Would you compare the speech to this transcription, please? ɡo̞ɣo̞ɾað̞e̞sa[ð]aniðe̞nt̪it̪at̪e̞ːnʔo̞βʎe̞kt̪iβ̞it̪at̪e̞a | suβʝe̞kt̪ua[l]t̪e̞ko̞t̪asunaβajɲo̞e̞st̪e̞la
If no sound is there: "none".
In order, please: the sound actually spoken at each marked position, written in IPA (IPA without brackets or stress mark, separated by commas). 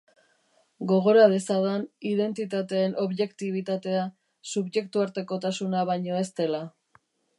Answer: ð, ɾ